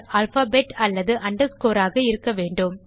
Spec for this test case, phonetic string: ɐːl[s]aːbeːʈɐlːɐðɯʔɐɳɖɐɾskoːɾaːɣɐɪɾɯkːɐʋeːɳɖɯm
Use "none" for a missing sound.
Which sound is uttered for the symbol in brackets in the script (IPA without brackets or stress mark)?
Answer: f